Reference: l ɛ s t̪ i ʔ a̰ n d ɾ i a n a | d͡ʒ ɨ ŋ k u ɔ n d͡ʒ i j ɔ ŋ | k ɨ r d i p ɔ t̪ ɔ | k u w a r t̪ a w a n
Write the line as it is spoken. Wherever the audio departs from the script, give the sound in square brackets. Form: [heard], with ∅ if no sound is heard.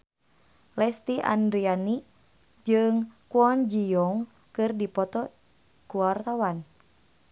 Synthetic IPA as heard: l ɛ s t̪ i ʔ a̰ n d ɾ i a n [i] | d͡ʒ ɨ ŋ k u ɔ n d͡ʒ i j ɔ ŋ | k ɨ r d i p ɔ t̪ ɔ | k u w a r t̪ a w a n